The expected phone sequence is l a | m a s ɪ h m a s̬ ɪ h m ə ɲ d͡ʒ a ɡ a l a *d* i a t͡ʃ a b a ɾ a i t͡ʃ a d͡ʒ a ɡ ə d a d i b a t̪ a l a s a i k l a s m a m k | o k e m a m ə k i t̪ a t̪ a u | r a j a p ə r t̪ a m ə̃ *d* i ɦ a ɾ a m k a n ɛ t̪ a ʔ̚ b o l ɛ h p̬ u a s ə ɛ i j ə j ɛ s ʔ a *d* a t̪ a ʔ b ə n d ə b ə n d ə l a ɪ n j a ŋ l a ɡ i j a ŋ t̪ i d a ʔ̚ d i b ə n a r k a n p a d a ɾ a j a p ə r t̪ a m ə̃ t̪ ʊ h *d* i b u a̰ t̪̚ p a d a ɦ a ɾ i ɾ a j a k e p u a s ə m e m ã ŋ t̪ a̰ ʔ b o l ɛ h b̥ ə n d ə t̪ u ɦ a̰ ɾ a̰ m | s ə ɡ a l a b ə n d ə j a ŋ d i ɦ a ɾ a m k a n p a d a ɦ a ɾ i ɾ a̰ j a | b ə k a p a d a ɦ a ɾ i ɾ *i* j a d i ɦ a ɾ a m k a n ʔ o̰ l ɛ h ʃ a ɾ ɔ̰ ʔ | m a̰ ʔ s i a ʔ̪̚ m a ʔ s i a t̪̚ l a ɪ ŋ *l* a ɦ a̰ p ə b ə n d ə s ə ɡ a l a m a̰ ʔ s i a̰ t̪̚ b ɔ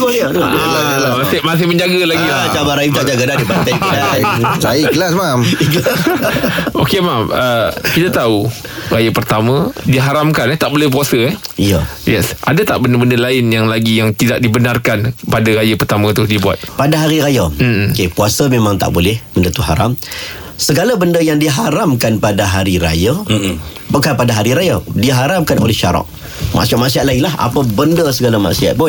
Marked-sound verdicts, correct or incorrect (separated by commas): incorrect, correct, correct, correct, incorrect, correct